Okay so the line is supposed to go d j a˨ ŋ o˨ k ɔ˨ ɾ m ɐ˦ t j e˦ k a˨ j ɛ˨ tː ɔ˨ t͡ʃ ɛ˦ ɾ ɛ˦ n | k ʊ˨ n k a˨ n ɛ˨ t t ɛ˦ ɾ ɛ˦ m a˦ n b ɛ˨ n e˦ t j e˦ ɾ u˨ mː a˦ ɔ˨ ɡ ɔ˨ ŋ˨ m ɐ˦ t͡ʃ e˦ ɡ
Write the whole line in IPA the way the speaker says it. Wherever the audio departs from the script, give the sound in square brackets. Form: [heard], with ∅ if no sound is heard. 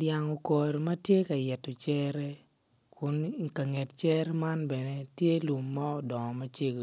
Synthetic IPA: d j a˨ ŋ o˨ k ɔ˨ ɾ m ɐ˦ t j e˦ k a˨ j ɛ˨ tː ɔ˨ t͡ʃ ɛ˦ ɾ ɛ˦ [∅] | k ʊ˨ n k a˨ [ŋ] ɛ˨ t [t͡ʃ] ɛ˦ ɾ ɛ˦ m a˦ n b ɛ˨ n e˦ t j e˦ [l] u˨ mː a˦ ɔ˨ [d] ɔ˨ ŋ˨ m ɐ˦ t͡ʃ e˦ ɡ